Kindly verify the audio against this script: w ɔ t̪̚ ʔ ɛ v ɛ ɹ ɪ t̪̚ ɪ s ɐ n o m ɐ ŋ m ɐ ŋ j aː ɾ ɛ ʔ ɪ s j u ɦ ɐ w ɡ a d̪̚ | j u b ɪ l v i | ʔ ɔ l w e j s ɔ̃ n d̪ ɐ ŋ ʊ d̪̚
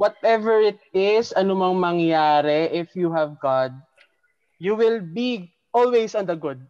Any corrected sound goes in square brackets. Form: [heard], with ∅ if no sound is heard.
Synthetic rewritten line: w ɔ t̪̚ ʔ ɛ v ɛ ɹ ɪ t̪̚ ɪ s ɐ n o m ɐ ŋ m ɐ ŋ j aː ɾ ɛ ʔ ɪ [f] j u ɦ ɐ [v] ɡ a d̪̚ | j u [w] ɪ l [b] i | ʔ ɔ l w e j s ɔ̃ n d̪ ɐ [ɡ] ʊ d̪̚